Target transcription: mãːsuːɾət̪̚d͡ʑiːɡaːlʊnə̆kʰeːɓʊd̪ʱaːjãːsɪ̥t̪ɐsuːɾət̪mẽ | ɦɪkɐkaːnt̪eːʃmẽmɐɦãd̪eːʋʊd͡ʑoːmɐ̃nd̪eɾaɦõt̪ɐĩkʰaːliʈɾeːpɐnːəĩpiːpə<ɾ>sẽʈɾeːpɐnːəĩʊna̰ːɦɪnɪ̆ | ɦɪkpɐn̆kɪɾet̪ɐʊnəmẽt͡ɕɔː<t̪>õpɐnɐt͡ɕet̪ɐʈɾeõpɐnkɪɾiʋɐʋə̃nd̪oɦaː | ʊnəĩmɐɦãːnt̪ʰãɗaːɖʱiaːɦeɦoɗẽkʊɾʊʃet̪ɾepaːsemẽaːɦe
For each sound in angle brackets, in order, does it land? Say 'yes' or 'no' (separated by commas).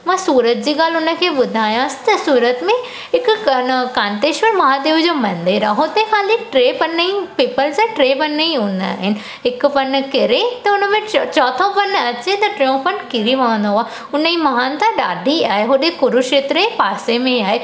no, no